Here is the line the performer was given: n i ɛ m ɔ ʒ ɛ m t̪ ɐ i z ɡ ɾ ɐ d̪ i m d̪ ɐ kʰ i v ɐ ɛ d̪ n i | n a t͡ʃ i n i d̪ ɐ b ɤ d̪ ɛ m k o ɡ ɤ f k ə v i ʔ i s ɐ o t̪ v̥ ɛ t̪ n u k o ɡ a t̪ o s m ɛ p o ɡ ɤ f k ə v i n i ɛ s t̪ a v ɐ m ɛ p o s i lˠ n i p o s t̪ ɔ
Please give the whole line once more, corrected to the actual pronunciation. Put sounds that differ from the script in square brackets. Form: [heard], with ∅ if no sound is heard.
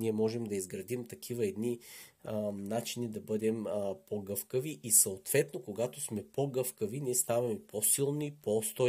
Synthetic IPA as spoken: n i ɛ m ɔ ʒ ɛ m [d̪] ɐ i z ɡ ɾ ɐ d̪ i m [t̪] ɐ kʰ i v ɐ ɛ d̪ n i | n a t͡ʃ i n i d̪ ɐ b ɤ d̪ ɛ m [p] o ɡ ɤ f k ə v i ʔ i s ɐ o t̪ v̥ ɛ t̪ n [o] k o ɡ a t̪ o s m ɛ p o ɡ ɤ f k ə v i n i ɛ s t̪ a v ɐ m ɛ p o s i lˠ n i p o s t̪ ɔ